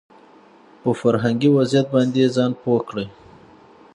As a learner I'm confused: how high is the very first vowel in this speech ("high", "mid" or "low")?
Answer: mid